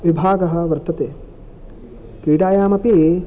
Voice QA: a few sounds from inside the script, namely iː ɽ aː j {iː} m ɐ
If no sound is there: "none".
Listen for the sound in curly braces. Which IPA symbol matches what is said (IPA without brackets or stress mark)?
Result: aː